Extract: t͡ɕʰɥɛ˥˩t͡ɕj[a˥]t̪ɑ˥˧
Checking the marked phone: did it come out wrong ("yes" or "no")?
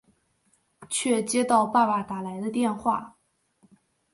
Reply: yes